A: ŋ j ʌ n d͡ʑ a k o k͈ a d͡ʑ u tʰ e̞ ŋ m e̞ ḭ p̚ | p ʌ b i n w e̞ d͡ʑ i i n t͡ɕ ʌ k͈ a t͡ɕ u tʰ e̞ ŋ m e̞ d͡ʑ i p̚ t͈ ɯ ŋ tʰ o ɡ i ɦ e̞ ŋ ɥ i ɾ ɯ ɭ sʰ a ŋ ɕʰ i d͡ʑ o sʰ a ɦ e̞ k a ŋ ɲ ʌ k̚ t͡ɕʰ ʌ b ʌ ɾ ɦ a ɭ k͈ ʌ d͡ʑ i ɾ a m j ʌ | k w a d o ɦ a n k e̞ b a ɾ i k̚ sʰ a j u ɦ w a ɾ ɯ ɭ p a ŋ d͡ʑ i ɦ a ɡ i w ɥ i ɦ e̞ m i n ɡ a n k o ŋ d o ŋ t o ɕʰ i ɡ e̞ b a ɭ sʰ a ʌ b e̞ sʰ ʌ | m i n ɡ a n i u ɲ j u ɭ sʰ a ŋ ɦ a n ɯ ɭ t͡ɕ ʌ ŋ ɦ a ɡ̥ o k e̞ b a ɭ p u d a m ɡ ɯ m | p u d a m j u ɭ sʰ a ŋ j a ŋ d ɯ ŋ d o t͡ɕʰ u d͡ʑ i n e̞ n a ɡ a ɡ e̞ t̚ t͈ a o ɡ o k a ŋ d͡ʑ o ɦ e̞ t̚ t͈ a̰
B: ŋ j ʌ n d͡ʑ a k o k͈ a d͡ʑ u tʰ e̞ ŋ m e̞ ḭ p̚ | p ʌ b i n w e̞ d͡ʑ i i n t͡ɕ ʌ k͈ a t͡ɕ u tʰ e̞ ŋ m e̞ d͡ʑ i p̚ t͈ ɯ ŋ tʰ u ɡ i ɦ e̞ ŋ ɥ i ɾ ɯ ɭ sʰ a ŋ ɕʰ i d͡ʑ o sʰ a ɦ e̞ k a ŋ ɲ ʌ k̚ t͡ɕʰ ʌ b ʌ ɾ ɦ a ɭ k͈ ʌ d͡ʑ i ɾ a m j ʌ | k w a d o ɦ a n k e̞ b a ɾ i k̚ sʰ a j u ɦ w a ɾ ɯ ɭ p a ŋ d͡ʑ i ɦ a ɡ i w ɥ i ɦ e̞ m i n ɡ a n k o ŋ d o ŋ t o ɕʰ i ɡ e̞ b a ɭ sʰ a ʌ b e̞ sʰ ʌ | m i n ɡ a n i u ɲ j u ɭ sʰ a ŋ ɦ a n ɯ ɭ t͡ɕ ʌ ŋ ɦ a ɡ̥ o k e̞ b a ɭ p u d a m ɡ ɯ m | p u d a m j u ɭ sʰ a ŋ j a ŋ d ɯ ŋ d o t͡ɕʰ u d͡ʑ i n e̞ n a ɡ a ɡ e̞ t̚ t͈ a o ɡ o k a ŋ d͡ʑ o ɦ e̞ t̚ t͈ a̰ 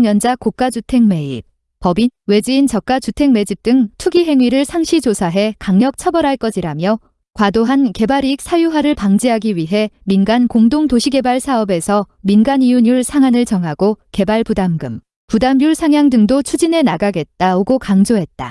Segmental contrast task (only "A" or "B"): B